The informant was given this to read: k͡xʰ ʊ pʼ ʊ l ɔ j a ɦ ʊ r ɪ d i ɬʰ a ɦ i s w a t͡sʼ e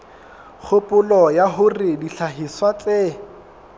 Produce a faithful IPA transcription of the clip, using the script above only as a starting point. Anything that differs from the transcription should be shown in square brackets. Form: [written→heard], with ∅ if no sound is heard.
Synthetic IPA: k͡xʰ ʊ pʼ ʊ l ɔ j a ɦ ʊ r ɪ d i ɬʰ a ɦ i s w a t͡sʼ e